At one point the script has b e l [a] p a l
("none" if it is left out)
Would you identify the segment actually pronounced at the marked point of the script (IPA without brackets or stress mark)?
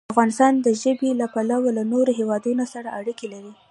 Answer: a